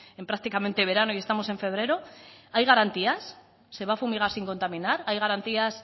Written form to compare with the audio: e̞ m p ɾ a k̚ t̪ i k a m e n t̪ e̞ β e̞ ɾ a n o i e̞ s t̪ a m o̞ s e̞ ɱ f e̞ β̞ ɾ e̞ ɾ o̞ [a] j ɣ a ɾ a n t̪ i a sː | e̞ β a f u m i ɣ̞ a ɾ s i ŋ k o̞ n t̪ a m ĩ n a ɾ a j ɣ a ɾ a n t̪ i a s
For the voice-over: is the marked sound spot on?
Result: yes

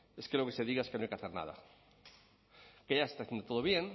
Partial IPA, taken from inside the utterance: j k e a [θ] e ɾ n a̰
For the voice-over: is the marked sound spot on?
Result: yes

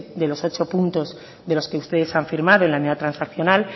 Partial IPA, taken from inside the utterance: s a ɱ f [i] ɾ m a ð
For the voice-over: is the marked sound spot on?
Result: yes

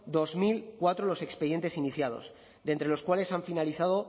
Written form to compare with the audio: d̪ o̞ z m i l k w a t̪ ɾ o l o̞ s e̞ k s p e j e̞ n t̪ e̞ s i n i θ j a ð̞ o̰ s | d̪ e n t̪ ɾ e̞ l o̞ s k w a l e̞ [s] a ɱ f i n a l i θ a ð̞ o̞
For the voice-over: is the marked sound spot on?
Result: yes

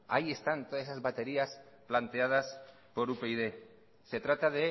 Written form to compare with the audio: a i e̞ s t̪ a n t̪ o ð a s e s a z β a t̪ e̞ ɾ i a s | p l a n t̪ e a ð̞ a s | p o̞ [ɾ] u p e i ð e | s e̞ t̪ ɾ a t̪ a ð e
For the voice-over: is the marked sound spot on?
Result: yes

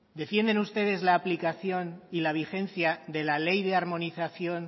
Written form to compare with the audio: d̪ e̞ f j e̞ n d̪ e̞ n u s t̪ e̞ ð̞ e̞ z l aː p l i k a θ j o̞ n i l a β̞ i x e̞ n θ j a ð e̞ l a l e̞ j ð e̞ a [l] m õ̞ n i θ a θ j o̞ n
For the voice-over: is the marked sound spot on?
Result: no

